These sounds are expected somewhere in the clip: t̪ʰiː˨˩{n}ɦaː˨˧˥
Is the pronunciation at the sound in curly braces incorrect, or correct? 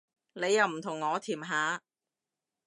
incorrect: m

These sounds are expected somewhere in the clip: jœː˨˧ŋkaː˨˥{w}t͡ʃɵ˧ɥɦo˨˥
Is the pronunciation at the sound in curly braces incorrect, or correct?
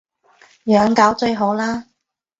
correct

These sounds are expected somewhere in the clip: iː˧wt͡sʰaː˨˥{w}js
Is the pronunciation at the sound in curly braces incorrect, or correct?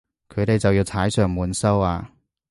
incorrect: none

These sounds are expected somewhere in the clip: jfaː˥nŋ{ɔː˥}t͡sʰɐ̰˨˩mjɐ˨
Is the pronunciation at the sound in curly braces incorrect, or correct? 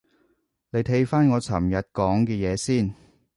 incorrect: ɔː˨˧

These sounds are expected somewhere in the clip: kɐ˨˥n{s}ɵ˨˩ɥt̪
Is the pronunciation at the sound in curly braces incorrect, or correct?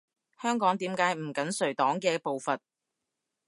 correct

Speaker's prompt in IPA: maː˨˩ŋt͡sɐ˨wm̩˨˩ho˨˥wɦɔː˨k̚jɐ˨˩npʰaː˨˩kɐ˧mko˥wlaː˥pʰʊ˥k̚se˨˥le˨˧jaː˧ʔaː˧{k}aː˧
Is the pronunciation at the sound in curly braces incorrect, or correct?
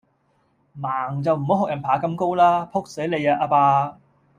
incorrect: p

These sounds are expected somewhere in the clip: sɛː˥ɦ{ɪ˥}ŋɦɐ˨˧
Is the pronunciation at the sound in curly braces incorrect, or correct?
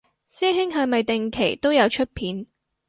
correct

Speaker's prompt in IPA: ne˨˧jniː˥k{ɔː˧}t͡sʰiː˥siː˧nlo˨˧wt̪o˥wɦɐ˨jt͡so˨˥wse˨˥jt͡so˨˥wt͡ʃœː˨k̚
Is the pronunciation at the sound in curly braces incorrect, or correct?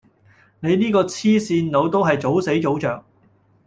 correct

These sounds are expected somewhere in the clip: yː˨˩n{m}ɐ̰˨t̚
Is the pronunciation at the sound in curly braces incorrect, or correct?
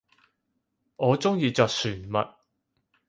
correct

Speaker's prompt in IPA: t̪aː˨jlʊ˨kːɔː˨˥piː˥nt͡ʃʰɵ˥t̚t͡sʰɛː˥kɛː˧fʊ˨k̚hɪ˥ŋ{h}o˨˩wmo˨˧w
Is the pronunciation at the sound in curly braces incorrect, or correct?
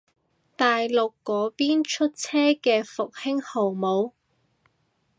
correct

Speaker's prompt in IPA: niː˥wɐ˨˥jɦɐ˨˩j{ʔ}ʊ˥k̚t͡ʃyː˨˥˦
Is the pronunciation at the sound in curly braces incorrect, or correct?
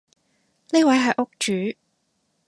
correct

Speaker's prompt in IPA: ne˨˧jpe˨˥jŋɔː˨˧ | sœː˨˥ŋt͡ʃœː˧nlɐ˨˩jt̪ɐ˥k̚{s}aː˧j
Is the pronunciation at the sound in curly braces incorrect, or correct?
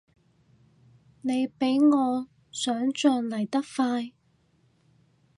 incorrect: f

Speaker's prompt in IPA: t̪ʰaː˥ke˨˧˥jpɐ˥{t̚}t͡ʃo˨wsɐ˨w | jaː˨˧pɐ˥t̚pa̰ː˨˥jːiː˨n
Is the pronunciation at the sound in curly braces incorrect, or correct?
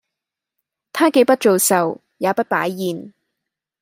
correct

